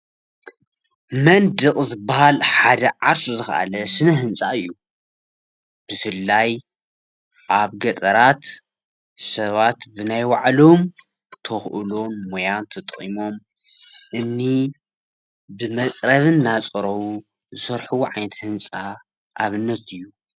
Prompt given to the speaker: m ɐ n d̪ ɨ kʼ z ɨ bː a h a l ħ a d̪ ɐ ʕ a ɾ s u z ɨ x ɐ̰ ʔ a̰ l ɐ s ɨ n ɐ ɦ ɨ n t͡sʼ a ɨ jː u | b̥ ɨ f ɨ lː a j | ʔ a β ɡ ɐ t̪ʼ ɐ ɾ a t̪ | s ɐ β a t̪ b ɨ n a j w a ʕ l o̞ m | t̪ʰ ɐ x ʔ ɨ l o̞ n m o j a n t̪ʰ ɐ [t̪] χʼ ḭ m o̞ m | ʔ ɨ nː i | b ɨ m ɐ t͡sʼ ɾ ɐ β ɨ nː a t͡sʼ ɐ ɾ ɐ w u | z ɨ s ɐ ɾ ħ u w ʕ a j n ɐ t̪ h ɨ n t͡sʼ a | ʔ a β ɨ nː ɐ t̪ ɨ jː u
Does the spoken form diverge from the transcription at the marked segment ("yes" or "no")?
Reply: yes